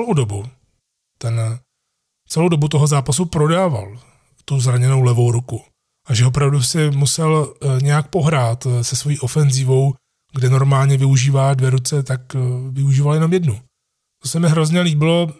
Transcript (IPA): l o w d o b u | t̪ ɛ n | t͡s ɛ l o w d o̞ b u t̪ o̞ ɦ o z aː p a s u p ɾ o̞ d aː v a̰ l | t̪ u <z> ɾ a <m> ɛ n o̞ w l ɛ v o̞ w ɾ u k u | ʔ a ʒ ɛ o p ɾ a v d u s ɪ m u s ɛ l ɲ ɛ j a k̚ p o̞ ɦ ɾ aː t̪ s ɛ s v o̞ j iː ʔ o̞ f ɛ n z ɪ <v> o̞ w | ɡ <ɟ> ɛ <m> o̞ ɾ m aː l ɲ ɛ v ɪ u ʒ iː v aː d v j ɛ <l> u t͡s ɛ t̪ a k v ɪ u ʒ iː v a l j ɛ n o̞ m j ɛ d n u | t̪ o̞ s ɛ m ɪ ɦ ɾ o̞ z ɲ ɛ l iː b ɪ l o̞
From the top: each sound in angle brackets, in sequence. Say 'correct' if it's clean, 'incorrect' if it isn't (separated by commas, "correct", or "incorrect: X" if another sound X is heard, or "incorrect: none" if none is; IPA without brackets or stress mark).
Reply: correct, incorrect: ɲ, correct, incorrect: d, incorrect: n, incorrect: ɾ